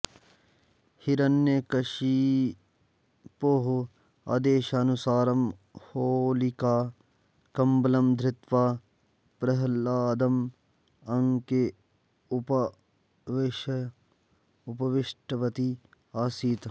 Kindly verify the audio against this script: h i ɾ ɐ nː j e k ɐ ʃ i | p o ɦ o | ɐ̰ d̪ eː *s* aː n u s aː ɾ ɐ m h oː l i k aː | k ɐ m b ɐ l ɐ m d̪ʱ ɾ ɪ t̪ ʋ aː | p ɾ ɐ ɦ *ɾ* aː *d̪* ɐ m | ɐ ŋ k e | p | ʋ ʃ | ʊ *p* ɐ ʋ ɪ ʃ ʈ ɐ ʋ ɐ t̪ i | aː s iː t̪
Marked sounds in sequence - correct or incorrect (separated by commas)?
incorrect, incorrect, correct, correct